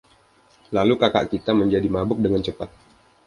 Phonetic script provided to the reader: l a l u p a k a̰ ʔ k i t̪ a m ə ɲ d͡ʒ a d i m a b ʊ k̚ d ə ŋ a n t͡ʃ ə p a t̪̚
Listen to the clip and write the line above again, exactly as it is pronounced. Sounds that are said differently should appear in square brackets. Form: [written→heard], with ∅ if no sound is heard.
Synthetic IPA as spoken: l a l u [p→k] a k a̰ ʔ k i t̪ a m ə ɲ d͡ʒ a d i m a b ʊ k̚ d ə ŋ a n t͡ʃ ə p a t̪̚